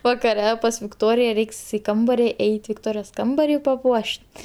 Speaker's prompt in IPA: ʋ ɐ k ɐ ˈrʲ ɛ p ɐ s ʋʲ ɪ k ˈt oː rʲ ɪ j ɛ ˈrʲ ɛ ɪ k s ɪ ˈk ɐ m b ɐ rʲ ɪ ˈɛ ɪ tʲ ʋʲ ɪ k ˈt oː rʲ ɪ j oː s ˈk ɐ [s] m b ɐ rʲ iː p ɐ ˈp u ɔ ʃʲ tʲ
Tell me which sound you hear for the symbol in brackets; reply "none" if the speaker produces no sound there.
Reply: none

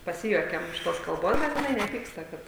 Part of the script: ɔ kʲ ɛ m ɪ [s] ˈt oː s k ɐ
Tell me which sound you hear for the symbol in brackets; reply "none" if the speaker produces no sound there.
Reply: ʃ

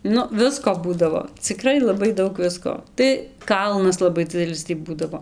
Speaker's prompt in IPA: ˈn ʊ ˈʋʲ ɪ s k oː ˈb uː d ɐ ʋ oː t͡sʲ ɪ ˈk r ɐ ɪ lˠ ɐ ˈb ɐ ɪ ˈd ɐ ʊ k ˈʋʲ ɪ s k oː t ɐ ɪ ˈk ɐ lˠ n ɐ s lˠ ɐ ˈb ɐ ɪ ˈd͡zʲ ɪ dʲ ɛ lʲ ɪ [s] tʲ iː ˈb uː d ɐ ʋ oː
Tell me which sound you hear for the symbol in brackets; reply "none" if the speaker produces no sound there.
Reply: s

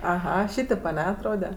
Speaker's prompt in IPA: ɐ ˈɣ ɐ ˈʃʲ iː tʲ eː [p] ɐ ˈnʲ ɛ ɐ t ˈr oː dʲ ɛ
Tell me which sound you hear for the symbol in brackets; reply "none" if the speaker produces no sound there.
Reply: p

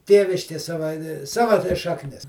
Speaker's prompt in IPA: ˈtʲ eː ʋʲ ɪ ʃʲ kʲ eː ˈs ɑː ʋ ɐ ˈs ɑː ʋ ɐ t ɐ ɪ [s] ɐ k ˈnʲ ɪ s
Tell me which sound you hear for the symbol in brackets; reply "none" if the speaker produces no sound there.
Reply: ʃ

